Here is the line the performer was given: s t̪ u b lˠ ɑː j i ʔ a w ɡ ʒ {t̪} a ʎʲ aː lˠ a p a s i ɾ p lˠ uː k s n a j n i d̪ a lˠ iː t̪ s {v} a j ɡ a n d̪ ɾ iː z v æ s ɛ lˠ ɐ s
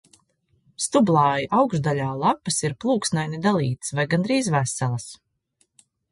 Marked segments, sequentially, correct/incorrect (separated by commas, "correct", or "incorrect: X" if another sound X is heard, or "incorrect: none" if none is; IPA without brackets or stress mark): incorrect: d̪, correct